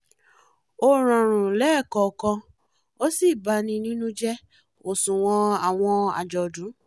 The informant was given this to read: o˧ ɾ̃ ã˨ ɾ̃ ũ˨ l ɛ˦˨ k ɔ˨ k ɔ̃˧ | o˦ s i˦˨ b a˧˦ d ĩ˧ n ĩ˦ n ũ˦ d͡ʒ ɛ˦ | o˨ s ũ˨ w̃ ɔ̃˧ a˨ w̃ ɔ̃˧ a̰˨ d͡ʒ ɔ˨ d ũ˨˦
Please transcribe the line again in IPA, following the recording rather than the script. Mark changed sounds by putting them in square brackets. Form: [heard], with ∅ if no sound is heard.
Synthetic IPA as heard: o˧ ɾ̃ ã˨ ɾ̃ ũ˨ l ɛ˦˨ k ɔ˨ k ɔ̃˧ | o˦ s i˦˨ b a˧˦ [n] ĩ˧ n ĩ˦ n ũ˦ d͡ʒ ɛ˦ | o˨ s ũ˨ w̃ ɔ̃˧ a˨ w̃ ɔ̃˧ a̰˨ d͡ʒ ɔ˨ d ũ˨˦

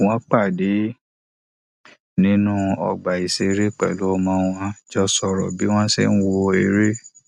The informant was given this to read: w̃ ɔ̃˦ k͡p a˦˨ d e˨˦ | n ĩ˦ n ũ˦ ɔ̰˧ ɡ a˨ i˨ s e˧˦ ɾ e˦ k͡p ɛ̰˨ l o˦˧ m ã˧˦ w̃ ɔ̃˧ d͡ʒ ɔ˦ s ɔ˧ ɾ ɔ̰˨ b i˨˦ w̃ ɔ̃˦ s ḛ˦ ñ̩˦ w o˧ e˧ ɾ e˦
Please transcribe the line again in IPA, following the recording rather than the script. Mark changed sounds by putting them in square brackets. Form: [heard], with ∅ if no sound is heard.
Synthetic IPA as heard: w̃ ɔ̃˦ k͡p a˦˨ d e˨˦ | n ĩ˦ n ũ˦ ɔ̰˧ [ɡ͡b] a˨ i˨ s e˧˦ ɾ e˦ k͡p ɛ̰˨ l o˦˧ m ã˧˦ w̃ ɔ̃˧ d͡ʒ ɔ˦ s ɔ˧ ɾ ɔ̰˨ b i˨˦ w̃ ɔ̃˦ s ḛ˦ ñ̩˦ w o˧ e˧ ɾ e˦

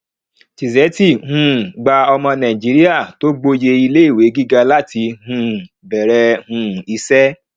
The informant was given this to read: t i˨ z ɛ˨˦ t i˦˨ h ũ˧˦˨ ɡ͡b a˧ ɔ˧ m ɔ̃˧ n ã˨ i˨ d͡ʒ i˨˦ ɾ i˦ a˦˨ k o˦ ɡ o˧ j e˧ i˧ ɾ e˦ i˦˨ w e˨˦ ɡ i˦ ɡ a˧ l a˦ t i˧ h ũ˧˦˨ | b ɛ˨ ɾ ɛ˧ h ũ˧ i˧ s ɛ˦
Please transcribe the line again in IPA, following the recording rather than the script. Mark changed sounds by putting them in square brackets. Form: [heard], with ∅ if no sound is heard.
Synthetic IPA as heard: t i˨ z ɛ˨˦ t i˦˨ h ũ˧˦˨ ɡ͡b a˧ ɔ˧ m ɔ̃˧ n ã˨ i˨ d͡ʒ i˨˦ ɾ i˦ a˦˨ [t] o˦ [ɡ͡b] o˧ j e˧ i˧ [l] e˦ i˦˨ w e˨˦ ɡ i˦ ɡ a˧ l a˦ t i˧ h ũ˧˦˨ | b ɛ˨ ɾ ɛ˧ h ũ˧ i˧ s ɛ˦

